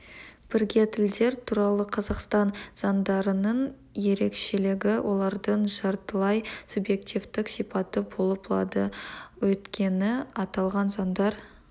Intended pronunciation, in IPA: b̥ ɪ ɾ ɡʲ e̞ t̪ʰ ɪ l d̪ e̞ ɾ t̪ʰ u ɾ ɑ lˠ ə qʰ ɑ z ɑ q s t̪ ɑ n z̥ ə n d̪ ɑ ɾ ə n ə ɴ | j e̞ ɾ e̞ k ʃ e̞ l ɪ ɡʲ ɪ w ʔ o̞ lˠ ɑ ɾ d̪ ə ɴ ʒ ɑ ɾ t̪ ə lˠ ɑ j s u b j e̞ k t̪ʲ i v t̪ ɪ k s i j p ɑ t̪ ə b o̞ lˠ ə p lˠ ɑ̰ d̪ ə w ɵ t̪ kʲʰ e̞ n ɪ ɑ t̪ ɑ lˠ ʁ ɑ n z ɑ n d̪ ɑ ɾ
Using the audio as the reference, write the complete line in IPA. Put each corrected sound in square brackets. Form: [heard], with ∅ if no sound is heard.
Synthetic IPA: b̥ ɪ ɾ ɡʲ e̞ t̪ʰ ɪ l d̪ e̞ ɾ t̪ʰ u ɾ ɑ lˠ ə qʰ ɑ z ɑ q s t̪ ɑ n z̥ [ɑ] n d̪ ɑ ɾ ə n ə ɴ | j e̞ ɾ e̞ k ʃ e̞ l ɪ ɡʲ ɪ w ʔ o̞ lˠ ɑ ɾ d̪ ə ɴ ʒ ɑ ɾ t̪ ə lˠ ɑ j s u b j e̞ k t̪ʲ i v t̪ ɪ k s i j p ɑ t̪ ə b o̞ lˠ ə p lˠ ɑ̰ d̪ ə w ɵ t̪ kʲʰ e̞ n ɪ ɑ t̪ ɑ lˠ ʁ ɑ n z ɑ n d̪ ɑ ɾ

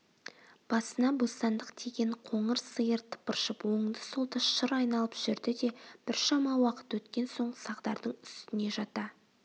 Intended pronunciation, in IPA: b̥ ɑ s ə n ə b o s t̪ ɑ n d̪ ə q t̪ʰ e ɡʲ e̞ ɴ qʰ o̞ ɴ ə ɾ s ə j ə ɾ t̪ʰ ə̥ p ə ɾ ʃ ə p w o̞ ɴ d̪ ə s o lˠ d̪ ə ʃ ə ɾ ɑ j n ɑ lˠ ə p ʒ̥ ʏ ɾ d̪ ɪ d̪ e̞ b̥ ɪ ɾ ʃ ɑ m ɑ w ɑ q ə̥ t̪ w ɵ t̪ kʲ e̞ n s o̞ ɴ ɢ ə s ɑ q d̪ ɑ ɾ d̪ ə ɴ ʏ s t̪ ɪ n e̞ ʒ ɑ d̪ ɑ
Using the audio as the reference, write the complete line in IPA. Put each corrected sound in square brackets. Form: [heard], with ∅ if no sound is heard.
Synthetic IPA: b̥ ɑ s ə n [ɑ] b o s t̪ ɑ n d̪ ə q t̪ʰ e ɡʲ e̞ ɴ qʰ o̞ ɴ ə ɾ s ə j ə ɾ t̪ʰ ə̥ p ə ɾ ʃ ə p w o̞ ɴ d̪ ə s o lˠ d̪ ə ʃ ə ɾ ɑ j n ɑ lˠ ə p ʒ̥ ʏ ɾ d̪ ɪ d̪ e̞ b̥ ɪ ɾ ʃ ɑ m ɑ w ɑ q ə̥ t̪ w ɵ t̪ kʲ e̞ n s o̞ ɴ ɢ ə s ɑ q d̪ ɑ ɾ d̪ ə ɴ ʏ s t̪ ɪ n e̞ ʒ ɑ [t̪] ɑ

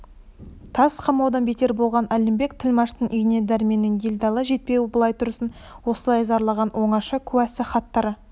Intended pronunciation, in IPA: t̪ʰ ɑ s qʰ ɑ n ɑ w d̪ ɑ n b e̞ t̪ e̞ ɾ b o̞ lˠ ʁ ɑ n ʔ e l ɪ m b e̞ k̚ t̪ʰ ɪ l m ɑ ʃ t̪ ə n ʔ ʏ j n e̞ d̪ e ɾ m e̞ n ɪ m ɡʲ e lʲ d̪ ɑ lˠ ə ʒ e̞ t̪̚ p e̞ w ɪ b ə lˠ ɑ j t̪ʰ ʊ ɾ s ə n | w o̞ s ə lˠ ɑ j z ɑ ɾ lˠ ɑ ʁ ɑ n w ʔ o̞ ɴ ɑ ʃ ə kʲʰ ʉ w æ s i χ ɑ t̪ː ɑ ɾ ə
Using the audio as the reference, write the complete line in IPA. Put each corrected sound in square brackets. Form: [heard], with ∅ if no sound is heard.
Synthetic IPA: t̪ʰ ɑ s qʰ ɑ [m] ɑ w d̪ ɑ n b e̞ t̪ e̞ ɾ b o̞ lˠ ʁ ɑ n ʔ [æ] l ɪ m b e̞ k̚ t̪ʰ ɪ l m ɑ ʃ t̪ ə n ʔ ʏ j n e̞ d̪ [æ] ɾ m e̞ n ɪ [ŋ] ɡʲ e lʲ d̪ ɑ lˠ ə ʒ e̞ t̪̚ p e̞ w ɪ b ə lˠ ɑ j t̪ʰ ʊ ɾ s ə n | w o̞ s ə lˠ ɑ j z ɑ ɾ lˠ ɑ ʁ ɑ n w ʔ o̞ ɴ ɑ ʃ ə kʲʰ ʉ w æ s [ɪ] χ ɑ t̪ː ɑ ɾ ə

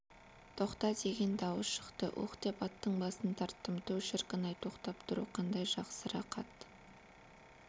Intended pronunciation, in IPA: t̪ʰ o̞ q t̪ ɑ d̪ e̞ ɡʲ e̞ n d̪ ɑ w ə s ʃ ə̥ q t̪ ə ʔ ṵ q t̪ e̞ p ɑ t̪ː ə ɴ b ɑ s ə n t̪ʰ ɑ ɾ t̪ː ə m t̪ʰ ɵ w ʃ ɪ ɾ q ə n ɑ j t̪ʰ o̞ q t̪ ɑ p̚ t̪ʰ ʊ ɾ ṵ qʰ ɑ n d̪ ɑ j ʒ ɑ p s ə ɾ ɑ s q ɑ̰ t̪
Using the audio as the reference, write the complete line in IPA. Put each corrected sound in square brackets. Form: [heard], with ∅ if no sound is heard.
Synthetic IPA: t̪ʰ o̞ q t̪ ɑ d̪ e̞ ɡʲ e̞ n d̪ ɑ w ə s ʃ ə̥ q t̪ ə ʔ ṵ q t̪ e̞ p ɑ t̪ː ə ɴ b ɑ s ə n t̪ʰ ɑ ɾ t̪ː ə m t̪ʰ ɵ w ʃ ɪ ɾ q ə n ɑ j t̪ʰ o̞ q t̪ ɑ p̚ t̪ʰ ʊ ɾ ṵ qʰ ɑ n d̪ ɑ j ʒ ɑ [q] s ə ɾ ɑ [∅] q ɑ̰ t̪

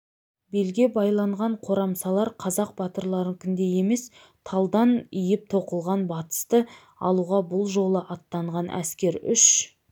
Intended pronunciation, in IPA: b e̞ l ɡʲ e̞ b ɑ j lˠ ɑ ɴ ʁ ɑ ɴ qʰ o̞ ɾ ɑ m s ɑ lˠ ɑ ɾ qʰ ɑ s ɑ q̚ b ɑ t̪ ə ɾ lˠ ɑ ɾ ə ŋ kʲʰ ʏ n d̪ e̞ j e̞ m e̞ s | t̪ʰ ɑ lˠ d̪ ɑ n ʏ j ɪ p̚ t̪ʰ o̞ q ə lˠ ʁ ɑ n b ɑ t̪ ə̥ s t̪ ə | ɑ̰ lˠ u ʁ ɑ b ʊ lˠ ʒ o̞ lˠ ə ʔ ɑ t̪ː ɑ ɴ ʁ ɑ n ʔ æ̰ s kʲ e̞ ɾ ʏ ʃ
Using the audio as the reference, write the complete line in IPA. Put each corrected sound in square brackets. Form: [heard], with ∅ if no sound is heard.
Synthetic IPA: b e̞ l ɡʲ e̞ b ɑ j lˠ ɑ ɴ ʁ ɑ ɴ qʰ o̞ ɾ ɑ m s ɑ lˠ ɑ ɾ qʰ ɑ [z] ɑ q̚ b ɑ t̪ ə ɾ lˠ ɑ ɾ ə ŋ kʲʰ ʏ n d̪ e̞ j e̞ m e̞ s | t̪ʰ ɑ lˠ d̪ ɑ n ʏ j ɪ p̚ t̪ʰ o̞ q ə lˠ ʁ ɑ n b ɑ t̪ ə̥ s t̪ ə | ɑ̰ lˠ u ʁ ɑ b ʊ lˠ ʒ o̞ lˠ ə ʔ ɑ t̪ː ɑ ɴ ʁ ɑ n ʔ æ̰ s kʲ e̞ ɾ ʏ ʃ

